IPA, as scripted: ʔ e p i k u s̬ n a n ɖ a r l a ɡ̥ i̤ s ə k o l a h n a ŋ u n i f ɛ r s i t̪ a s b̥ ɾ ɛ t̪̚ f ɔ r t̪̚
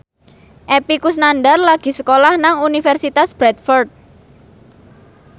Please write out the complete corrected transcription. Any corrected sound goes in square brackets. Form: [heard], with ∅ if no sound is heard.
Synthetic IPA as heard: ʔ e p i k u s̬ n a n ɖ a r l a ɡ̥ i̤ s ə k o l a h n a ŋ u n i f ɛ r s i t̪ a s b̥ ɾ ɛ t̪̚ f ɔ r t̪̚